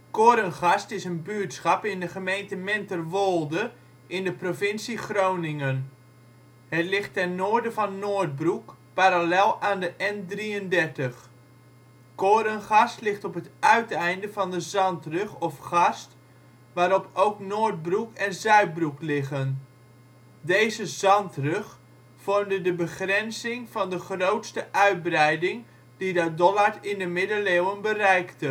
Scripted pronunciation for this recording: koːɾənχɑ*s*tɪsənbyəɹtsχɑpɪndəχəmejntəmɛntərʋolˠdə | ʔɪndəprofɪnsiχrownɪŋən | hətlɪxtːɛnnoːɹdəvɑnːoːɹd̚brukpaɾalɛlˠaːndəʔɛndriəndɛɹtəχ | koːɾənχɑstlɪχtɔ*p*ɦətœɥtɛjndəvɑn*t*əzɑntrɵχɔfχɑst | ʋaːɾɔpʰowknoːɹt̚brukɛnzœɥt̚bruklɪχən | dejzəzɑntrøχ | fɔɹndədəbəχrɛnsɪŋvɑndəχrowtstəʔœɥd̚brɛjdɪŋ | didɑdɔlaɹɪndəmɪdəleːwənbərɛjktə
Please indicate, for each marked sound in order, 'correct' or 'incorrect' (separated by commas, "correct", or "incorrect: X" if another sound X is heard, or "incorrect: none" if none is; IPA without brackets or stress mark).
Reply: correct, correct, incorrect: d